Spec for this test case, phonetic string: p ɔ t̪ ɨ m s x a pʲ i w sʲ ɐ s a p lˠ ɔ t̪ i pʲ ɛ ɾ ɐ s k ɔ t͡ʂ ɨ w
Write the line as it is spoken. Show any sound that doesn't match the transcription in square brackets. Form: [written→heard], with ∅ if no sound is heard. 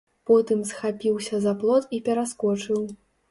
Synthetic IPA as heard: p ɔ t̪ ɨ m s x a pʲ i w sʲ ɐ [s→z] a p lˠ ɔ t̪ i pʲ ɛ ɾ [ɐ→a] s k ɔ t͡ʂ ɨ w

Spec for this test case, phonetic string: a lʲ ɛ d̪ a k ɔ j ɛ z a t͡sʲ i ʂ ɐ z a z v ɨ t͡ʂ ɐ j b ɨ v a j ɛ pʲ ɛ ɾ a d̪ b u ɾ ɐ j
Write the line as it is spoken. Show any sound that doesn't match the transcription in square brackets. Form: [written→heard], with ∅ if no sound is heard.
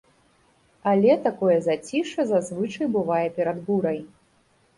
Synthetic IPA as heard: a lʲ ɛ [d̪→t̪] a k ɔ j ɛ z a t͡sʲ i ʂ ɐ z a z v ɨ t͡ʂ ɐ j b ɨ v a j ɛ pʲ ɛ ɾ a d̪ b u ɾ ɐ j

